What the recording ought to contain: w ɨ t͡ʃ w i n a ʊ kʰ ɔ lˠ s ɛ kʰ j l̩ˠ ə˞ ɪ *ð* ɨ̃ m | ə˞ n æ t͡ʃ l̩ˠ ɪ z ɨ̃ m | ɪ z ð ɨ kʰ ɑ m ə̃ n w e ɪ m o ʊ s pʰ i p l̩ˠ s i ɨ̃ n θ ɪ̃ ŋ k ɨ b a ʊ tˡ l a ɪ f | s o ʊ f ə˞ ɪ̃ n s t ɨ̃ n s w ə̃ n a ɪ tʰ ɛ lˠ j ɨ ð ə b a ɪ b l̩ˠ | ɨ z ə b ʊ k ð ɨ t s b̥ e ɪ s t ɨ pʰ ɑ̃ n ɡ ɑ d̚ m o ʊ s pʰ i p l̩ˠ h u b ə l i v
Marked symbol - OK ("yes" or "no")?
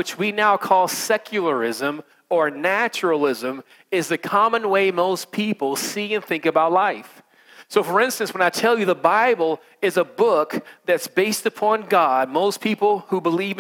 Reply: no